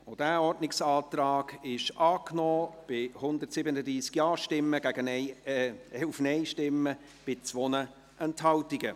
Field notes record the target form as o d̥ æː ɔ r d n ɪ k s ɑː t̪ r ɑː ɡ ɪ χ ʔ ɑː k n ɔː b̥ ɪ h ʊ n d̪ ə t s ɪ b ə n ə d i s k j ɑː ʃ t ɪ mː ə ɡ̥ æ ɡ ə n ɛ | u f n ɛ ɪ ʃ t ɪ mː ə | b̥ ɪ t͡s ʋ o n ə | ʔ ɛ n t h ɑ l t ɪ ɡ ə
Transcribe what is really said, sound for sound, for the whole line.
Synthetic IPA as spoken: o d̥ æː ɔ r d n ɪ k s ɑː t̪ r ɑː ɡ ɪ ʃ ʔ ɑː k n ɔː b̥ ɪ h ʊ n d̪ ə t s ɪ b ə n ə d iː s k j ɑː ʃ t ɪ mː ə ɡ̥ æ ɡ ə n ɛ | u f n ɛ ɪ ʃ t ɪ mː ə | b̥ ɪ t͡s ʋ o n ə | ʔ ɛ n t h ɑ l t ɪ ɡ ə

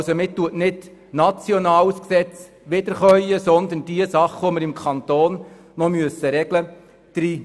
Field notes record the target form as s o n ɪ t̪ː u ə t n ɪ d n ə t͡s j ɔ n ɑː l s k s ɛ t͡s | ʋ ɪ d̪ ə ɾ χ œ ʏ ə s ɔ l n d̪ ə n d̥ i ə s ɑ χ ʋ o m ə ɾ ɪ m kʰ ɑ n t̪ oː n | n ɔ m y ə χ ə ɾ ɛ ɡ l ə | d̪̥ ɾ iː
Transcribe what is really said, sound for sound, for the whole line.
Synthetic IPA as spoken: s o m ɪ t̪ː u ə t n ɪ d n ɑ t͡s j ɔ n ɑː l s k s ɛ t͡s | ʋ ɪ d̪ ə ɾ χ œ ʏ ə s ɔ n d̪ ə n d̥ i ə s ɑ χ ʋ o m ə ɾ ɪ m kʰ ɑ n t̪ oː n | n ɔ m y ə s ə ɾ ɛ ɡ l ə | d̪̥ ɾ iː

